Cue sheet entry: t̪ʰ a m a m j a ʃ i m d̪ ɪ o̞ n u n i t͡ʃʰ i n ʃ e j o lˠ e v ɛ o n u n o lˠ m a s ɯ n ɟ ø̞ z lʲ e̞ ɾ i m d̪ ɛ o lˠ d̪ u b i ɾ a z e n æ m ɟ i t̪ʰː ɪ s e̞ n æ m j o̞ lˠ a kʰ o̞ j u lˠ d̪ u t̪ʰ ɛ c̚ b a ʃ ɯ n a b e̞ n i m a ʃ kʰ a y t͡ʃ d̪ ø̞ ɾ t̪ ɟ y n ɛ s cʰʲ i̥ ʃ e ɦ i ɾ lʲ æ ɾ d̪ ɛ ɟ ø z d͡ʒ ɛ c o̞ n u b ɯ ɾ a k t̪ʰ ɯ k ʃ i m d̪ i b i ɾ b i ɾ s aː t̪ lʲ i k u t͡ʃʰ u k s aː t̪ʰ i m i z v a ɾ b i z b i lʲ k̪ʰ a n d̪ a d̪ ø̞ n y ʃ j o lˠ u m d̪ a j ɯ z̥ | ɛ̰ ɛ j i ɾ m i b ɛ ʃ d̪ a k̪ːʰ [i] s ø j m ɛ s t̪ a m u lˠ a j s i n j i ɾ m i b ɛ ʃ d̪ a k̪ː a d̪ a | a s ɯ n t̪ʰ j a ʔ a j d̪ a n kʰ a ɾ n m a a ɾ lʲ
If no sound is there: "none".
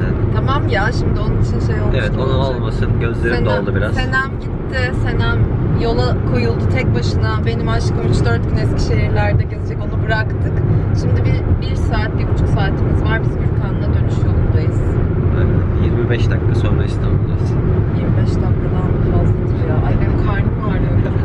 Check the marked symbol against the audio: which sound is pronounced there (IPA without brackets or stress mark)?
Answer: a